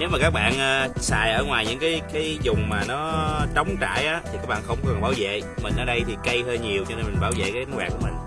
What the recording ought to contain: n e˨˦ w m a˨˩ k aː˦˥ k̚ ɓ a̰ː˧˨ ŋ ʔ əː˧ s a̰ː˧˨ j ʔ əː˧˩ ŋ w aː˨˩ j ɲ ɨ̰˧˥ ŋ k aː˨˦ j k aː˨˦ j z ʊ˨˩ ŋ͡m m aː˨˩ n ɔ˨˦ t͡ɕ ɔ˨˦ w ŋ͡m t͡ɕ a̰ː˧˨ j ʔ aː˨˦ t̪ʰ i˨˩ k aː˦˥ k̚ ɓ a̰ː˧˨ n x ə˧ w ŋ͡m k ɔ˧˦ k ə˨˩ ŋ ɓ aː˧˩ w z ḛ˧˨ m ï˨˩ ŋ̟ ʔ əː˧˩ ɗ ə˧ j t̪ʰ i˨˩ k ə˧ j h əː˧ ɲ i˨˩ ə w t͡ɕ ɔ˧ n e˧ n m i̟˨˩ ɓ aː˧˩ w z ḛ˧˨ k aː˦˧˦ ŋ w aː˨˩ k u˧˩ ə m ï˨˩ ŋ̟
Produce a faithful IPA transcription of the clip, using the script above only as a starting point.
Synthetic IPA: n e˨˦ w m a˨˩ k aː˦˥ k̚ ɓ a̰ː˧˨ n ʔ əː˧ s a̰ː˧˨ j ʔ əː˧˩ ŋ w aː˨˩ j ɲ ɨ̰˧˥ ŋ k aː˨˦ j k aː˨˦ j z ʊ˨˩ ŋ͡m m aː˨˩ n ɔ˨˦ t͡ɕ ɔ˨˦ w ŋ͡m t͡ɕ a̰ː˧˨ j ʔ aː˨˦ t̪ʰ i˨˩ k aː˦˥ k̚ ɓ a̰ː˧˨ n x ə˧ w ŋ͡m k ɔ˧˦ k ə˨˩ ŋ ɓ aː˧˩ w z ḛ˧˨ m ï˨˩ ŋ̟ ʔ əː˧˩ ɗ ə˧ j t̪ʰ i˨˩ k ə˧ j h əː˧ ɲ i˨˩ ə w t͡ɕ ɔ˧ n e˧ n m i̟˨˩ ɓ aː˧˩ w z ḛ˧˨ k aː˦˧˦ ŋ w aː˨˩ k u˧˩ ə m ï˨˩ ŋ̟